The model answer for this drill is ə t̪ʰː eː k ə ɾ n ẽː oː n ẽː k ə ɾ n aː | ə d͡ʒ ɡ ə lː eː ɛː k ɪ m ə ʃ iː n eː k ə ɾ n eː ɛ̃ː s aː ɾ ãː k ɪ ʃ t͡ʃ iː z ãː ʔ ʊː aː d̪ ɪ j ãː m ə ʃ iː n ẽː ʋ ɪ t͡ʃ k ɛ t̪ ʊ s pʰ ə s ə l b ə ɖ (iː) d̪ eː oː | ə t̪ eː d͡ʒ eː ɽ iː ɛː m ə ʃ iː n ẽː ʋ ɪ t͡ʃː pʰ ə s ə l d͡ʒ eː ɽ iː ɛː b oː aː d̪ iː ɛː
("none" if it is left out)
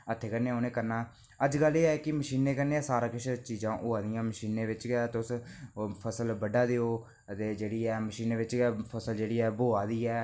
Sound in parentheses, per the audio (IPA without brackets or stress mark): aː